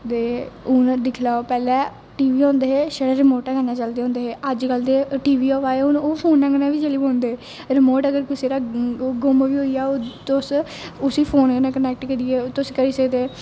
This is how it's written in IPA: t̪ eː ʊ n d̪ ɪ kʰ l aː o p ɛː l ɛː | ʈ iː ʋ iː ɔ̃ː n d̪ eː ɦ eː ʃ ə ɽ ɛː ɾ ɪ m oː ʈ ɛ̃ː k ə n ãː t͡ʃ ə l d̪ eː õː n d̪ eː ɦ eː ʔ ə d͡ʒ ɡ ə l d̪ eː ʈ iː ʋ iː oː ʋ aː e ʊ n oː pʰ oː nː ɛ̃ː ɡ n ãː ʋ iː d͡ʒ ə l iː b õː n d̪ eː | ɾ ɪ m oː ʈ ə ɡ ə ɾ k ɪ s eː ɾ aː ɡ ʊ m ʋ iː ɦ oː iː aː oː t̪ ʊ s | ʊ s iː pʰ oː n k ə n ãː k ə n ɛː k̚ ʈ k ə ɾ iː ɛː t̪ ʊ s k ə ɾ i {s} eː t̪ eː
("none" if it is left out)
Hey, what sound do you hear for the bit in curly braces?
s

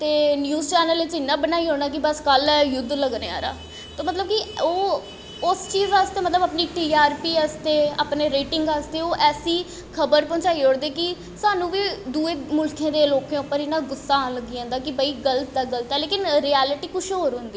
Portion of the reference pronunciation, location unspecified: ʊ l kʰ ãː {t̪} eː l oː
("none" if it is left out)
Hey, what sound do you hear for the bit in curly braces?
d̪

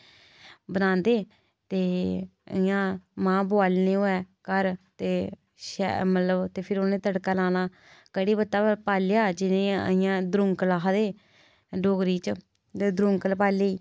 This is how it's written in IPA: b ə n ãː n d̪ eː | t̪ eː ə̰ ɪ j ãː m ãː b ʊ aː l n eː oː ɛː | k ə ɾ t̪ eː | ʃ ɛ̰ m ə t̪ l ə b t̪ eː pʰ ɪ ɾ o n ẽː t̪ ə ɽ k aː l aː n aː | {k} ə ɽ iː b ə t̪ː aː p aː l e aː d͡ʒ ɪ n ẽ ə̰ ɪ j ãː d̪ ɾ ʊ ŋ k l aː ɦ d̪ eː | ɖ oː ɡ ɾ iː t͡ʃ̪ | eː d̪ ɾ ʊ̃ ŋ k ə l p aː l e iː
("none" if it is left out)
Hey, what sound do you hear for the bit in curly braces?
k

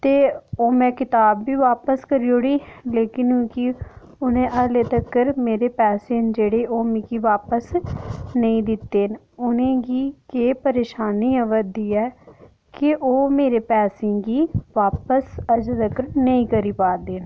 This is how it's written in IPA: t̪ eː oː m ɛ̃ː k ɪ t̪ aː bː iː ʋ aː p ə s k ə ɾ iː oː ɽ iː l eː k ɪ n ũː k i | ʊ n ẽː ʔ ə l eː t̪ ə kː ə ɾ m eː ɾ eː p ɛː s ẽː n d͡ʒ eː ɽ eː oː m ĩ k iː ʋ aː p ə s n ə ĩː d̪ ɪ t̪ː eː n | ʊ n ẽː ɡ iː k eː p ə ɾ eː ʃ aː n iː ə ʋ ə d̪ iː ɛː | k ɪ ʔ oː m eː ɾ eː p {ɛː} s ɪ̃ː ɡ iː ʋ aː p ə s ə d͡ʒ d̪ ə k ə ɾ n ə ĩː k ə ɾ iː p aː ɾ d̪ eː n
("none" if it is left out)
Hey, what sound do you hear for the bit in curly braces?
ɛː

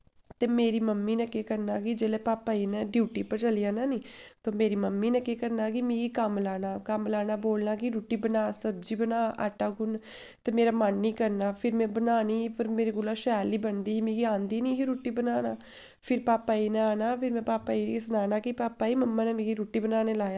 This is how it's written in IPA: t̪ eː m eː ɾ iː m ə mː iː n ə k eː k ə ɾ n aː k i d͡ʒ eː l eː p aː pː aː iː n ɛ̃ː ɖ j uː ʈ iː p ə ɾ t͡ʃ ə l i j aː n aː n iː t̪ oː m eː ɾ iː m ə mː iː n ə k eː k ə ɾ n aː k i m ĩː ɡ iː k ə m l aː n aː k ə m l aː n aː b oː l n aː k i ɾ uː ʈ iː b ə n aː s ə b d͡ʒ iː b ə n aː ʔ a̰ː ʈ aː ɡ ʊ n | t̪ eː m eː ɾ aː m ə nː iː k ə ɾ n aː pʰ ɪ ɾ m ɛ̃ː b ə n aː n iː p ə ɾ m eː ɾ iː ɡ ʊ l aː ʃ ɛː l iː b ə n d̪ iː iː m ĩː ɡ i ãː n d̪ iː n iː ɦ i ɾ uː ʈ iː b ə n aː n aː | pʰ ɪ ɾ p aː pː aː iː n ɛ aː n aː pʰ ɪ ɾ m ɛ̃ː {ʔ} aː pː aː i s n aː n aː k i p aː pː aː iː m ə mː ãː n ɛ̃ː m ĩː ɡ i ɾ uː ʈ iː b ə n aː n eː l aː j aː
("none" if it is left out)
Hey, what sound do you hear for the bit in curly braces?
p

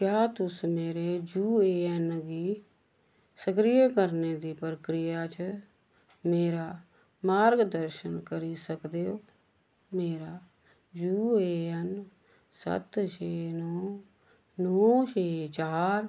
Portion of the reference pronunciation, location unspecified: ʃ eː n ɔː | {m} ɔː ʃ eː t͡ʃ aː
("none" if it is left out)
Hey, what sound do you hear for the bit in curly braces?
n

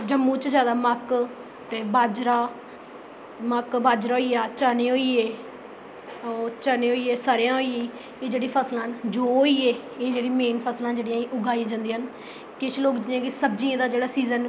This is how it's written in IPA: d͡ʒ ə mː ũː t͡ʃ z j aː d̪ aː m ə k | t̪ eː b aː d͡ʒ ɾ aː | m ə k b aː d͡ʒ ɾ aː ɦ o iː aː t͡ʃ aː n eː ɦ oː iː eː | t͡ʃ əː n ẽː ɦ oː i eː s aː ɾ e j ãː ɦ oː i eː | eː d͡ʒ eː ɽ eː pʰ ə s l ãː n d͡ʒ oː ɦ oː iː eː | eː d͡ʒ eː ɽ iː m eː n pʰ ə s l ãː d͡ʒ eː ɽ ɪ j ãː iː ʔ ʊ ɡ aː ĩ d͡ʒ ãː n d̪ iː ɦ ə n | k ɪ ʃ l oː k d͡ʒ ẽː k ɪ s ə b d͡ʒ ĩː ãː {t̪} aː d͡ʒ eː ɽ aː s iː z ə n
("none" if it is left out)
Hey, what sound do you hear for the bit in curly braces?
d̪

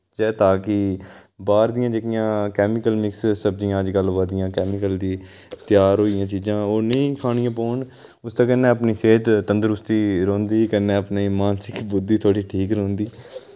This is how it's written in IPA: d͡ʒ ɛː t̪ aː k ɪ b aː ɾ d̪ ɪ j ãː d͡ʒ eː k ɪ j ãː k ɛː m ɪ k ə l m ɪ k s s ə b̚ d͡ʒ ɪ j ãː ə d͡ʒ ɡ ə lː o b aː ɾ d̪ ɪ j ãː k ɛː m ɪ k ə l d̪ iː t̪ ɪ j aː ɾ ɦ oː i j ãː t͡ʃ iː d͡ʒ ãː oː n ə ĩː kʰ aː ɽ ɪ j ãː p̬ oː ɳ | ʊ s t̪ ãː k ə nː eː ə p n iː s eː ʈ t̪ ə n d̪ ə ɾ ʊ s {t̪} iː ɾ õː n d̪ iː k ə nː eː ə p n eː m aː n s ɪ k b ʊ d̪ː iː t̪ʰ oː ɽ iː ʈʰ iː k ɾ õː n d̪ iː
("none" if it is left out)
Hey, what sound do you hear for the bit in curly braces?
t̪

